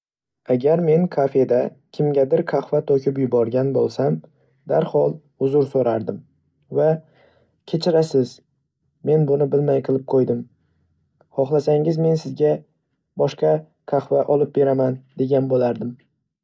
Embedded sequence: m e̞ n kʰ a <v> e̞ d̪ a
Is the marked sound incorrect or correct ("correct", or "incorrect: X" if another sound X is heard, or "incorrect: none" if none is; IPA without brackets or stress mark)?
incorrect: f